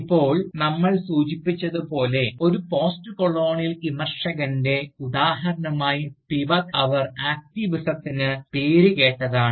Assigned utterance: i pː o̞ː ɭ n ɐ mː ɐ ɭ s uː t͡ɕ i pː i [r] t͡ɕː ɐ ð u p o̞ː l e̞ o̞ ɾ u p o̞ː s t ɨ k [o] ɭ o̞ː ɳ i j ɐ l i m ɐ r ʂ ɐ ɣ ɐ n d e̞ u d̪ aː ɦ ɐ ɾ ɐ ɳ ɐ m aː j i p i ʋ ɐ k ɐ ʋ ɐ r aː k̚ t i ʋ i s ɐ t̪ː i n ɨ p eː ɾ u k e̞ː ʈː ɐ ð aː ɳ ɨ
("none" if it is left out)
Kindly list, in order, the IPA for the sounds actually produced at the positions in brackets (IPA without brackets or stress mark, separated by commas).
none, o